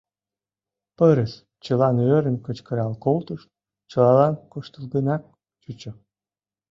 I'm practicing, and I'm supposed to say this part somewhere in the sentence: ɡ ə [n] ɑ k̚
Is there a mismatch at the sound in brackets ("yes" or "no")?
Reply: no